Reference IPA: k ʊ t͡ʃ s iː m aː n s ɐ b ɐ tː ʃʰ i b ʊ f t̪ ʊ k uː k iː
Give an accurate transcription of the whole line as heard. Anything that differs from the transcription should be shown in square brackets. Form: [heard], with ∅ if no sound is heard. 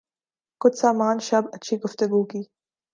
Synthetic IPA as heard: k ʊ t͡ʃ s [aː] m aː n [ʃ] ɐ b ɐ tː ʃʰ i [ɡ] ʊ f t̪ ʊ [ɡ] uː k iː